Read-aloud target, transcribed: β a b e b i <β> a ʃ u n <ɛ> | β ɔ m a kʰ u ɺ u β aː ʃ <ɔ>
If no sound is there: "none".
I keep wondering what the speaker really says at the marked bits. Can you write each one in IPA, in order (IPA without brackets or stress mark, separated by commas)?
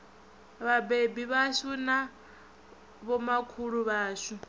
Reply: β, a, u